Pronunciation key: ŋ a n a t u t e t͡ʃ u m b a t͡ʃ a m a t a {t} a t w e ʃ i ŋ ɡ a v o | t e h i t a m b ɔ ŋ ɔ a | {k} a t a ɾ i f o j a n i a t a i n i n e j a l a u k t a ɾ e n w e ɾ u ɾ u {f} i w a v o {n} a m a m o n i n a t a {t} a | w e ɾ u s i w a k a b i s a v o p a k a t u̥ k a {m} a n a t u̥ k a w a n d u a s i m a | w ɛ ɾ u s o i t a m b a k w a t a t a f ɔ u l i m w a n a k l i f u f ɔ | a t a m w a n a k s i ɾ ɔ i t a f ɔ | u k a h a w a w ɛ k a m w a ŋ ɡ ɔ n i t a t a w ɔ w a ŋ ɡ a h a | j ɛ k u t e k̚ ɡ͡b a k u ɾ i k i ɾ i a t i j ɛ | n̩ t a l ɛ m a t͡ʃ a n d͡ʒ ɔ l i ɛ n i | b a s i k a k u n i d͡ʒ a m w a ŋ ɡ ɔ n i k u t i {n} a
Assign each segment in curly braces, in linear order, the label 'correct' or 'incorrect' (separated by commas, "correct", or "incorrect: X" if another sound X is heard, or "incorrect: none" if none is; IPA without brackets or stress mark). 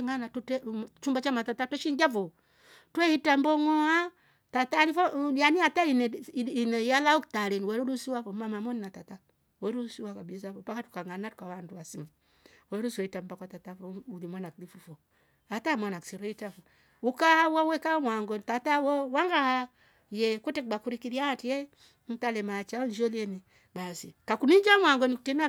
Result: correct, incorrect: t, incorrect: s, incorrect: m, correct, incorrect: ŋ, correct